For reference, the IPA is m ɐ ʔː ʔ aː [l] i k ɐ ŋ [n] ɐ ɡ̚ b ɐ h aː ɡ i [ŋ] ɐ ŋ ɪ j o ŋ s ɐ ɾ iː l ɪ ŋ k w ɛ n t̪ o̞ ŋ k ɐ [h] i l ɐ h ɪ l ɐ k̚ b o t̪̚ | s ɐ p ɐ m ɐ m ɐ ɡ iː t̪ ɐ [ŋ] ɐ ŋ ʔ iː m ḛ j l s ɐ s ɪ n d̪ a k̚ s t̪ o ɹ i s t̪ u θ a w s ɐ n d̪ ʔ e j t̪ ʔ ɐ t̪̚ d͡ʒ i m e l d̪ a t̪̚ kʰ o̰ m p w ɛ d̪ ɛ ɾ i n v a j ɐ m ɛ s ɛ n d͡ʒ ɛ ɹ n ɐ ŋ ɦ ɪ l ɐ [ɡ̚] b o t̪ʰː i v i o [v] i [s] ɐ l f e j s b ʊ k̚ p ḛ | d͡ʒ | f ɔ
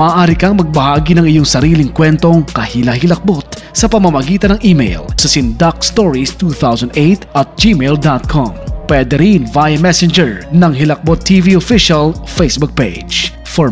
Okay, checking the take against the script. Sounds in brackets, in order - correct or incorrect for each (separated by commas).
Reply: incorrect, incorrect, incorrect, correct, incorrect, incorrect, incorrect, incorrect